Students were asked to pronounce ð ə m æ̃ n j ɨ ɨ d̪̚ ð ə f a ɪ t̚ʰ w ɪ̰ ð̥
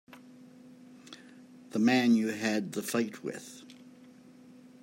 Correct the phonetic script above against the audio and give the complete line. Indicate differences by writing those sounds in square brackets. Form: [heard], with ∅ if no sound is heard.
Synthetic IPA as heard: ð ə m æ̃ n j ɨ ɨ d̪̚ ð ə f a ɪ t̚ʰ w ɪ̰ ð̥

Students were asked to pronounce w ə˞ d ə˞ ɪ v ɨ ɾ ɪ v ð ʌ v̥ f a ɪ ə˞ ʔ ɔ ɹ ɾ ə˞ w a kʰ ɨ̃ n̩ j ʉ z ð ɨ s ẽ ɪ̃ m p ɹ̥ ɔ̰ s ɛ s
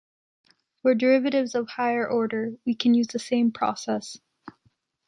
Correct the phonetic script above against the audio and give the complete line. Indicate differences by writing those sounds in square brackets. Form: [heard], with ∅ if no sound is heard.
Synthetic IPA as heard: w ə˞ d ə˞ ɪ v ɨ ɾ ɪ v [z] ʌ v̥ [h] a ɪ ə˞ ʔ ɔ ɹ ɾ ə˞ w [i] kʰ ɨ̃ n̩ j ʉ z ð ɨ s ẽ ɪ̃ m [pʰ] ɹ̥ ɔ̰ s ɛ s

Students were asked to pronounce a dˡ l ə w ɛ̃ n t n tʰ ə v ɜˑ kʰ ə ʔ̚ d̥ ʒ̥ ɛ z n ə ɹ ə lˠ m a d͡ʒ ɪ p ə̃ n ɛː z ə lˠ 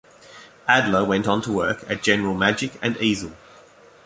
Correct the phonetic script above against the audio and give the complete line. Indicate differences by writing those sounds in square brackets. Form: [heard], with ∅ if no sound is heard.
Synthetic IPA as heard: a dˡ l ə w ɛ̃ n t n tʰ ə [w] ɜˑ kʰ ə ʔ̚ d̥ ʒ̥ ɛ [∅] n ə ɹ ə lˠ m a d͡ʒ ɪ [k] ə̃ n [iː] z ə lˠ

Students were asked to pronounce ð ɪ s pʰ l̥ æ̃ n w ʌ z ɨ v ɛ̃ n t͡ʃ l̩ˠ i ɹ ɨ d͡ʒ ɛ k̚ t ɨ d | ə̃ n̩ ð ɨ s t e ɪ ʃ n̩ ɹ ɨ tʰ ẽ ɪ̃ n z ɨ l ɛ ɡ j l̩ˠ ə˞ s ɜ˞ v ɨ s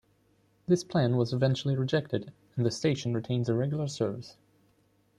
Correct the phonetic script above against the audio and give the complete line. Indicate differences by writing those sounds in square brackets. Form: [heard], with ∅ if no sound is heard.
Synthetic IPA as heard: ð ɪ s pʰ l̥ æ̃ n w ʌ z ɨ v ɛ̃ n t͡ʃ l̩ˠ i ɹ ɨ d͡ʒ ɛ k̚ t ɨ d | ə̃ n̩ ð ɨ s t e ɪ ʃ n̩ ɹ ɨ tʰ ẽ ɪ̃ n z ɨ [ɹ] ɛ ɡ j l̩ˠ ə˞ s ɜ˞ v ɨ s

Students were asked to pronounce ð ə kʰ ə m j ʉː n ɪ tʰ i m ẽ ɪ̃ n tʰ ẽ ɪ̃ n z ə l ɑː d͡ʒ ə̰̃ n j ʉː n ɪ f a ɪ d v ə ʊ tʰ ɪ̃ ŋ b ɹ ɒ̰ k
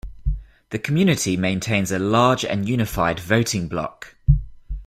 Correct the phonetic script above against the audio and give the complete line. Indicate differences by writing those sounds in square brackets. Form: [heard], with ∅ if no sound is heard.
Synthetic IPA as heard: ð ə kʰ ə m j ʉː n ɪ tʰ i m ẽ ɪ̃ n tʰ ẽ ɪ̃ n z ə l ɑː d͡ʒ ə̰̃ n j ʉː n ɪ f a ɪ d v ə ʊ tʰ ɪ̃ ŋ b [l] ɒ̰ k

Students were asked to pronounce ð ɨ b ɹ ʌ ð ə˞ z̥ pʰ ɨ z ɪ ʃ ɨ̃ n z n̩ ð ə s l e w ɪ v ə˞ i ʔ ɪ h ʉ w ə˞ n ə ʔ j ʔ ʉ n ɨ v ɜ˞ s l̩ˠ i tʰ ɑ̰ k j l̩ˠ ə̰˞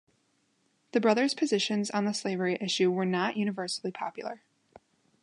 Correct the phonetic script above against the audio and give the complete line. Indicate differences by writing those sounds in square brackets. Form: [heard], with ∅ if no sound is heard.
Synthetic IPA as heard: ð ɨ b ɹ ʌ ð ə˞ z̥ pʰ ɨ z ɪ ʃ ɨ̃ n z n̩ ð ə s l e [∅] ɪ v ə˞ i ʔ ɪ [ʃ] ʉ w ə˞ n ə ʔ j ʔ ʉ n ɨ v ɜ˞ s l̩ˠ i [pʰ] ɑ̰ [p] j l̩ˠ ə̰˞

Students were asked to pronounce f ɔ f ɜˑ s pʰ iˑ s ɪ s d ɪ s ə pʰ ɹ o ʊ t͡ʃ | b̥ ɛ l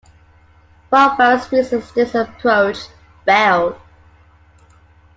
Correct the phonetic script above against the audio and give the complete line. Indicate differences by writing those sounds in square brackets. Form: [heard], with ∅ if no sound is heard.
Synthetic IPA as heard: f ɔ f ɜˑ s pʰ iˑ s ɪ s d ɪ s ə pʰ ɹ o ʊ t͡ʃ | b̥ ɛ l

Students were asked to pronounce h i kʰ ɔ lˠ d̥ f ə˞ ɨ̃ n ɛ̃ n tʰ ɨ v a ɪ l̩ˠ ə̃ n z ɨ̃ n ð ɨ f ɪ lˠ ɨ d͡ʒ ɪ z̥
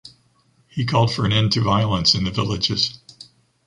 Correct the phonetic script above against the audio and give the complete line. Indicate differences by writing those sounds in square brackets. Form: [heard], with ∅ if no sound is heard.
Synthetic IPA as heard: h i kʰ ɔ lˠ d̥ f ə˞ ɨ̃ n ɛ̃ n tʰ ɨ v a ɪ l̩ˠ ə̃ n [s] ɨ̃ n ð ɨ [v] ɪ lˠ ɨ d͡ʒ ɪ z̥

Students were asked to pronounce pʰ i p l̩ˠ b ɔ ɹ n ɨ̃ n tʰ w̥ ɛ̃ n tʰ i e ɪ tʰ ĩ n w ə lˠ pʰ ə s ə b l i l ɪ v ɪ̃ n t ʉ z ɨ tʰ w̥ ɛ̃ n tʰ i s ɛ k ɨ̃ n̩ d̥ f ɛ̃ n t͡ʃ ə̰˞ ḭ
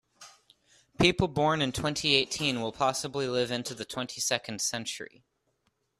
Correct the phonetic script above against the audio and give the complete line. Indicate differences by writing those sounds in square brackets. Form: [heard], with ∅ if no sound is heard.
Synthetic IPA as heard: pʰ i p l̩ˠ b ɔ ɹ n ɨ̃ n tʰ w̥ ɛ̃ n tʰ i e ɪ tʰ ĩ n w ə lˠ pʰ [ɑ] s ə b l i l ɪ v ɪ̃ n t ʉ [ð] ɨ tʰ w̥ ɛ̃ n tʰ i s ɛ k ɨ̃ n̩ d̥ [s] ɛ̃ n t͡ʃ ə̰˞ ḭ

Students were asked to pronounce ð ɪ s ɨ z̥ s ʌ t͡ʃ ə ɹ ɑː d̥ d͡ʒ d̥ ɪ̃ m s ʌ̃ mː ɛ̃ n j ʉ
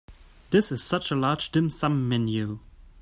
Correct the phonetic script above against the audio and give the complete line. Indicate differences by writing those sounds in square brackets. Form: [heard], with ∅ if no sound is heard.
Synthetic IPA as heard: ð ɪ s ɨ z̥ s ʌ t͡ʃ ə [l] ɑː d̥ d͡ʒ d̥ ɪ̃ m s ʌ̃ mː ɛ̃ n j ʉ

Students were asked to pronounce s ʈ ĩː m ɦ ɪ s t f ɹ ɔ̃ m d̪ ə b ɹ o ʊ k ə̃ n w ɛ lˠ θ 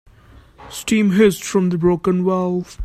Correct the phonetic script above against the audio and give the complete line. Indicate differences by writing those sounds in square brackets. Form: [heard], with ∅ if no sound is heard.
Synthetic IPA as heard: s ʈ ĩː m ɦ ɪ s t f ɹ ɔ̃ m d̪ ə b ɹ o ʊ k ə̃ n w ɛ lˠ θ

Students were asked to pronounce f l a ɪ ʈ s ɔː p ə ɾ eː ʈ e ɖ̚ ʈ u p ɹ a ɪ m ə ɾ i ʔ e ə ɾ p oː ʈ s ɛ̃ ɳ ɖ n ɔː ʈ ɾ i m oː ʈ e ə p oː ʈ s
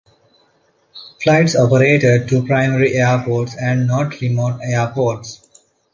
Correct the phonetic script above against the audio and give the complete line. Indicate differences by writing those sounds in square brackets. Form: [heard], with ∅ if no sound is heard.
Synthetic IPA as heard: f l a ɪ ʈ s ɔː p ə ɾ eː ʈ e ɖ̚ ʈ u p [ɾ] a ɪ m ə ɾ i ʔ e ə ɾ p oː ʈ s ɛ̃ ɳ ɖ n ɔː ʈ ɾ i m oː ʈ e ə p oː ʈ s

